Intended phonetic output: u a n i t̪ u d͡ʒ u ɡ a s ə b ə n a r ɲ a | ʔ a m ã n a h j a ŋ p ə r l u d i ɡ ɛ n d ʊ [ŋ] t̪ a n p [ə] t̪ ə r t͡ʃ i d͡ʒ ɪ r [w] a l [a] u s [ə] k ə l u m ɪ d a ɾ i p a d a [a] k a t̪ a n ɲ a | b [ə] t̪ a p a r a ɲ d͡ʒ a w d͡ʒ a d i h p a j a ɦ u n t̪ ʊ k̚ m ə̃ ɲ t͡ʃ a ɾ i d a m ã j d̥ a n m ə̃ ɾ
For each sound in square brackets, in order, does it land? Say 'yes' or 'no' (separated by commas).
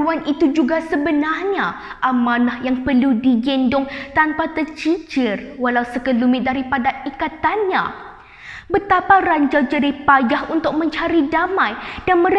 yes, no, yes, yes, yes, no, yes